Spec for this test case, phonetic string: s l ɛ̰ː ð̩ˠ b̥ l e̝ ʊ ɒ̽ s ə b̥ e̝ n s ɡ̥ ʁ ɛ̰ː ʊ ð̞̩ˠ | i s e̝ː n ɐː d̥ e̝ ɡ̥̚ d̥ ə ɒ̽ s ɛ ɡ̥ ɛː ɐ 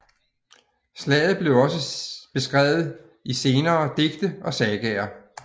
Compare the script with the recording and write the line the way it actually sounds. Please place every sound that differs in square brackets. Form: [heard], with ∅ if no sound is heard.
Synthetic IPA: s l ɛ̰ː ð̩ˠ b̥ l e̝ ʊ ɒ̽ s ə b̥ e̝ [∅] s ɡ̥ ʁ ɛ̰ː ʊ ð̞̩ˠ | i s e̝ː n ɐː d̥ e̝ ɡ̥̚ d̥ ə ɒ̽ s ɛ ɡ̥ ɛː ɐ